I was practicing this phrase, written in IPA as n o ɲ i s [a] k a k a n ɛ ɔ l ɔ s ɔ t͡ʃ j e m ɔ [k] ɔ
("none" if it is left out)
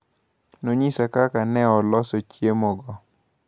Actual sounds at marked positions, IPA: a, ɡ

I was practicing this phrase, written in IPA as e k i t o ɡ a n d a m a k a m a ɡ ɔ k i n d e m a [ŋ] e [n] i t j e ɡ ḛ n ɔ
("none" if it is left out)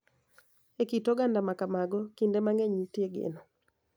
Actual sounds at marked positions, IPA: ŋ, ɲ

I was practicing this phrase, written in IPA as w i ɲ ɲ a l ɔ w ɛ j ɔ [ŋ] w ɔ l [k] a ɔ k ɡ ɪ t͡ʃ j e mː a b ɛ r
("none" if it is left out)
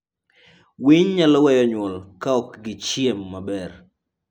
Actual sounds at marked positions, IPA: ɲ, k

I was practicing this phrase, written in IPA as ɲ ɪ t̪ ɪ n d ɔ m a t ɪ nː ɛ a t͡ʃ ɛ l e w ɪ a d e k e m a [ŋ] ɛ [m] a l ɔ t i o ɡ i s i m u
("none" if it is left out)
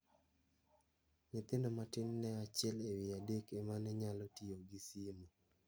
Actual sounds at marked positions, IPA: n, ɲ

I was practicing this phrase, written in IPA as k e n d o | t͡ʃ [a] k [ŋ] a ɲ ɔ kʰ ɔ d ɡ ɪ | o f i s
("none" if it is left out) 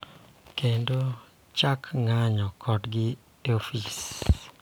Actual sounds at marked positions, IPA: a, ŋ

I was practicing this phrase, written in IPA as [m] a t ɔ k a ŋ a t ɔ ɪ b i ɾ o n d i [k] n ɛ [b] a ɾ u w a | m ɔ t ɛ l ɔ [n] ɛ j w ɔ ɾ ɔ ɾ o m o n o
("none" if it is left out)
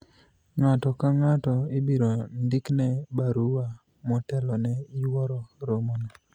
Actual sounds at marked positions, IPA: ŋ, k, b, n

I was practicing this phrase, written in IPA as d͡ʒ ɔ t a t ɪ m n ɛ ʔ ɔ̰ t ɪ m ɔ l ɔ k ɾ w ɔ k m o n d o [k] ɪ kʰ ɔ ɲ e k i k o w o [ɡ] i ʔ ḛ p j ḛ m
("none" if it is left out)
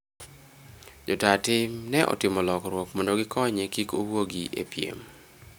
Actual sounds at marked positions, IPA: ɡ, ɡ

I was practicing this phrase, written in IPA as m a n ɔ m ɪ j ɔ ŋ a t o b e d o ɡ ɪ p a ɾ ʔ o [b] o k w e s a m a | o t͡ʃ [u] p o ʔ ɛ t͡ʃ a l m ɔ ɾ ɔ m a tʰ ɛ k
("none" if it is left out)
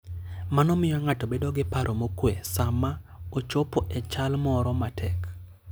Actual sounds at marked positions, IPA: m, o

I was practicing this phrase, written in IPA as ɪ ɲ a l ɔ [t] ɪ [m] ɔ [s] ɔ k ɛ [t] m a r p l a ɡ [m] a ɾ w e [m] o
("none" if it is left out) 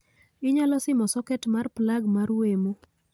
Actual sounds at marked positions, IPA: s, m, s, t, m, m

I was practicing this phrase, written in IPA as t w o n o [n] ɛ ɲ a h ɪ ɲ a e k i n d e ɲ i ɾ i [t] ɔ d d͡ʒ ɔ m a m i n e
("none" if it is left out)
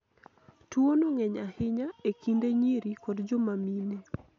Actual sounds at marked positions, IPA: ŋ, k

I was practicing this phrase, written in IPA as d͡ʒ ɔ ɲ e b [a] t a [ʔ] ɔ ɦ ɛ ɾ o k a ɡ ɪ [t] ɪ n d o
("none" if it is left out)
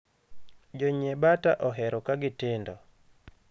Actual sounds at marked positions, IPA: a, ʔ, t

